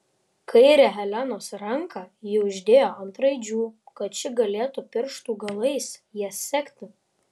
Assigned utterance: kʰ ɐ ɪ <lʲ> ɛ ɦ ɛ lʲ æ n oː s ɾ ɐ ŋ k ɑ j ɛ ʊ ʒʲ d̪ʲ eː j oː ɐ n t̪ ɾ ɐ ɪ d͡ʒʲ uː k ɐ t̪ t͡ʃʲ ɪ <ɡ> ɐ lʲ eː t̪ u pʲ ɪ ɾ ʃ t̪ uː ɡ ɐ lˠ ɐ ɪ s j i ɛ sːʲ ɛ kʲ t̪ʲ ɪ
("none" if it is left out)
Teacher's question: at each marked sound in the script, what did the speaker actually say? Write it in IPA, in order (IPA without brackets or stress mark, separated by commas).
ɾʲ, ɡ